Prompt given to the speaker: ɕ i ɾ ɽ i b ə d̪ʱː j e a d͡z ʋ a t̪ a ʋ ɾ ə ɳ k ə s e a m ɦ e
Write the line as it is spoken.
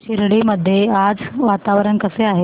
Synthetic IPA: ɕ i ɾ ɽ i m ə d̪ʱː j e a d͡z ʋ a t̪ a ʋ ɾ ə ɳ k ə s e a ɦ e